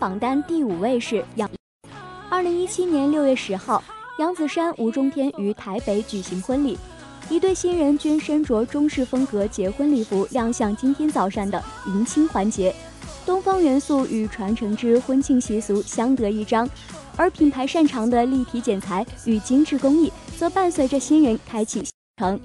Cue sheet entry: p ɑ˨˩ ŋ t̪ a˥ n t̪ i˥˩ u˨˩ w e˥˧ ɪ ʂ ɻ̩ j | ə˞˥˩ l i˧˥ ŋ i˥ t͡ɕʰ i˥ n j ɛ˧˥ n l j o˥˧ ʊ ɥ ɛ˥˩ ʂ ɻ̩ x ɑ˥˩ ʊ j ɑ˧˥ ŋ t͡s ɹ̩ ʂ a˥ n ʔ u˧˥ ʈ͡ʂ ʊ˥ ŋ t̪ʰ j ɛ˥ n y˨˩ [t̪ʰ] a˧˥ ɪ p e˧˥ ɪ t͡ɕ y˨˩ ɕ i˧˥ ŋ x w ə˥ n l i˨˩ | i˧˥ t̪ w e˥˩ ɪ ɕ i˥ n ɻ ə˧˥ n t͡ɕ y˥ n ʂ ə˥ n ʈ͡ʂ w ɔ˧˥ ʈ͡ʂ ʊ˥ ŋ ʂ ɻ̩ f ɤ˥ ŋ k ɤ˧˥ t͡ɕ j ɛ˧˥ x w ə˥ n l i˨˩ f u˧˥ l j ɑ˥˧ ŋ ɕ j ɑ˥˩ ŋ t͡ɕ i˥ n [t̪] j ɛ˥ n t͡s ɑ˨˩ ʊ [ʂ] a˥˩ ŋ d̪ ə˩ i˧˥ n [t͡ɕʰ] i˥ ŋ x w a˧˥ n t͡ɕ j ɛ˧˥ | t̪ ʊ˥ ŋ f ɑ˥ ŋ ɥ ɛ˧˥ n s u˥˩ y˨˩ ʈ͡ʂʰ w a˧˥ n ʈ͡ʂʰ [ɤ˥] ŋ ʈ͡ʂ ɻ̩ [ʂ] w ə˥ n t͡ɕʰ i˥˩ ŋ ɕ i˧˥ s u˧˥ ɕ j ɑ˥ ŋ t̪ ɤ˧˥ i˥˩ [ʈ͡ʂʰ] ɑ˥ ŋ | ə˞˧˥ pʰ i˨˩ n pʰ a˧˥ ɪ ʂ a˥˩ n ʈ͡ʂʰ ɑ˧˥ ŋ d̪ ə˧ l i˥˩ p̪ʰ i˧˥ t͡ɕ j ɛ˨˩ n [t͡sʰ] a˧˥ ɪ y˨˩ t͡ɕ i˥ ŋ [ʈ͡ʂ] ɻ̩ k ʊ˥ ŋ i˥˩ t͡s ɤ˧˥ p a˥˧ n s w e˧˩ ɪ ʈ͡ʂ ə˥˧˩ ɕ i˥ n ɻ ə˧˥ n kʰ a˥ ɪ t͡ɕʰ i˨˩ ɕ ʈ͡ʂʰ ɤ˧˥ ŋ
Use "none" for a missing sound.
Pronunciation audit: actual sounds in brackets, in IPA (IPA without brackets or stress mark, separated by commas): t̪ʰ, t̪ʰ, ʂ, t͡ɕʰ, ɤ˧˥, x, ʈ͡ʂ, t͡sʰ, ʈ͡ʂ